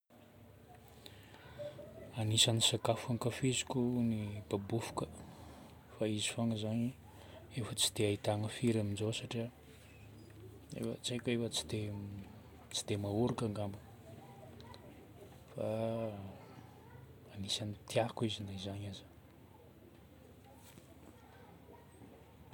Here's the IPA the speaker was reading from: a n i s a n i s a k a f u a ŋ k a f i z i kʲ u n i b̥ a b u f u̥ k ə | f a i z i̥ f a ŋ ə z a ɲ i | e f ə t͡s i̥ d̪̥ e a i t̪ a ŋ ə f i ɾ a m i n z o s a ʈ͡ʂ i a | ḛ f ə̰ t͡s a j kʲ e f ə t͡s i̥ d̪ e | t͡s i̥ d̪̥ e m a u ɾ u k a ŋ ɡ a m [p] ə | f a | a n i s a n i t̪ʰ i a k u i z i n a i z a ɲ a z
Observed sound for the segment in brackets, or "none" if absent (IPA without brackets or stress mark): b